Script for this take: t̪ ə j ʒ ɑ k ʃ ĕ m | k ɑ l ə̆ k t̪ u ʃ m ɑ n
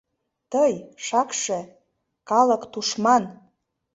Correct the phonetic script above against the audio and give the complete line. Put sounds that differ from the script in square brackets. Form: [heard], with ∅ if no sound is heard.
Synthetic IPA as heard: t̪ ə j [ʃ] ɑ k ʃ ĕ [∅] | k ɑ l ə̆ k t̪ u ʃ m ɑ n